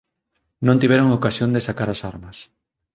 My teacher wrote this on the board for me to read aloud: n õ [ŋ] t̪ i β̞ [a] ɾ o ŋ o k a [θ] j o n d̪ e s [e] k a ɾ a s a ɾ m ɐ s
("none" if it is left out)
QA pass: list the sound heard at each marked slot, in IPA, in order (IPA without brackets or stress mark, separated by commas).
n, ɛ, s, a